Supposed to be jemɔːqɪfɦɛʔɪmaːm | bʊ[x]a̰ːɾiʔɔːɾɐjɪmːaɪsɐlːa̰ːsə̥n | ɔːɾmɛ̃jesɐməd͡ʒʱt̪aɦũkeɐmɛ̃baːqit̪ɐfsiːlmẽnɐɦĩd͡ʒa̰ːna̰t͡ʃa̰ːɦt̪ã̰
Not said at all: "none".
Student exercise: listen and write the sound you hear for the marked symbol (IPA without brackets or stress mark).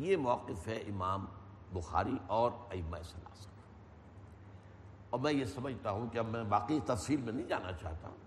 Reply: x